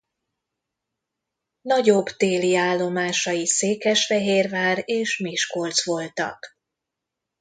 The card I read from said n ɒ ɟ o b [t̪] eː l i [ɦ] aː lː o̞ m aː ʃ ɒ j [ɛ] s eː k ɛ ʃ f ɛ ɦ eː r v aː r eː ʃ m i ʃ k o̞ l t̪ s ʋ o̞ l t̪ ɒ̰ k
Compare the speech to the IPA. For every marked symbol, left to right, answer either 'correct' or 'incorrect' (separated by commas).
correct, incorrect, incorrect